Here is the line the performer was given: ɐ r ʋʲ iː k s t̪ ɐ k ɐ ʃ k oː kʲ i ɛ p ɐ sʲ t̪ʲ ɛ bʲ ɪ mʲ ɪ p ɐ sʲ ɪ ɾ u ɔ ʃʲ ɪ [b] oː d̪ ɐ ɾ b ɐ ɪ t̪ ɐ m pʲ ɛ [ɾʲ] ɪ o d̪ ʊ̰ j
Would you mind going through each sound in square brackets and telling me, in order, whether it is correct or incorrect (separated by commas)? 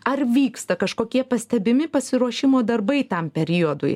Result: incorrect, correct